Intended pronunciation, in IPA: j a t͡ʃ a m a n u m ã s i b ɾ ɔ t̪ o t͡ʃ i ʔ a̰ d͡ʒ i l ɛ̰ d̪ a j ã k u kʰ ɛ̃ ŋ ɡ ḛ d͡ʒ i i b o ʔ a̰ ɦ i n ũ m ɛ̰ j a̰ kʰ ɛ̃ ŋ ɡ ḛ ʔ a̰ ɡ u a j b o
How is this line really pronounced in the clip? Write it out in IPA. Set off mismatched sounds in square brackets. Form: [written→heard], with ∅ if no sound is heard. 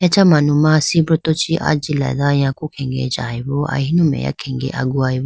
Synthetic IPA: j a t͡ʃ a m a n u m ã s i b ɾ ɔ t̪ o t͡ʃ i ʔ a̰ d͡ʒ i l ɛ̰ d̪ a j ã k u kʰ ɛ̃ ŋ ɡ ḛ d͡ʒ [i→a] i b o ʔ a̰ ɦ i n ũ m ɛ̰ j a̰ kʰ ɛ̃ ŋ ɡ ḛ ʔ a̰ ɡ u a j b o